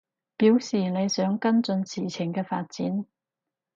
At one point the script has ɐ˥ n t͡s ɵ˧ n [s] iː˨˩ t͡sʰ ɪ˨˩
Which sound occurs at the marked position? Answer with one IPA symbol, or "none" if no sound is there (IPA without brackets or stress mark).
s